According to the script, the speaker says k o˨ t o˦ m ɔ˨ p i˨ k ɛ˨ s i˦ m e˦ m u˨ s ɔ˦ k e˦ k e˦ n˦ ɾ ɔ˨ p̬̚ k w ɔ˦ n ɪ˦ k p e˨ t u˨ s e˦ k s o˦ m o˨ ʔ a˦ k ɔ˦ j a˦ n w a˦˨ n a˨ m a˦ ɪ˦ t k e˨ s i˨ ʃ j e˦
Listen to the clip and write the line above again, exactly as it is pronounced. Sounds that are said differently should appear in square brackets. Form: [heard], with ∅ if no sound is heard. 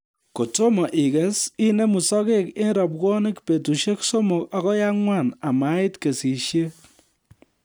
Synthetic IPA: k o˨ t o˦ m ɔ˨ [ʔ] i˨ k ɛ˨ s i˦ [n] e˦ m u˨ s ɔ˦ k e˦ k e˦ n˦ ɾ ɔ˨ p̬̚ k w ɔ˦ n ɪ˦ k p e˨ t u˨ [ʃ] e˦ k s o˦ m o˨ [k] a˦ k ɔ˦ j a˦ [ŋ] w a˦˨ n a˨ m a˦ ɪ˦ t k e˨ s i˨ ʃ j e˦